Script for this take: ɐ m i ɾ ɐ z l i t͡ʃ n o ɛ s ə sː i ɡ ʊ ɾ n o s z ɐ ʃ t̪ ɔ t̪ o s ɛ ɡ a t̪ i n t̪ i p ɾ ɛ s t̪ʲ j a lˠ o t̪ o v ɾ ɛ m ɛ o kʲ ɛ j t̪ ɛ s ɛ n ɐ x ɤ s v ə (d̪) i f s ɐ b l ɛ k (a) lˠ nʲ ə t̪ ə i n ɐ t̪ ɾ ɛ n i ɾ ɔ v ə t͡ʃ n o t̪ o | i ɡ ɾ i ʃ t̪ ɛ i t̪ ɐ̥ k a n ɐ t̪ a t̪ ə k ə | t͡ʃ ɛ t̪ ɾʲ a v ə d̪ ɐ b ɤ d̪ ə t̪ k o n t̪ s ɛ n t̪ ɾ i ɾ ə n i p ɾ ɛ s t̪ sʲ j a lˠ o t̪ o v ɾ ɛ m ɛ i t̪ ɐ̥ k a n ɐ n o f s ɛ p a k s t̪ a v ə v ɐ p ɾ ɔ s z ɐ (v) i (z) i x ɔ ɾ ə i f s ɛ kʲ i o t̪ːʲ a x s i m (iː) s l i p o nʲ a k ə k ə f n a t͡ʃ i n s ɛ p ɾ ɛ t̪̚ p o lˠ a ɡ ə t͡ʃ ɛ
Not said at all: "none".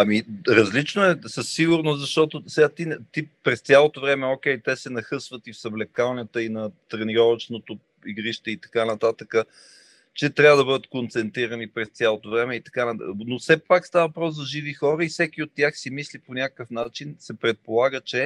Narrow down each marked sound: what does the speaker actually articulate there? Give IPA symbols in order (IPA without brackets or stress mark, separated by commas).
t̪, a, ʒ, v, i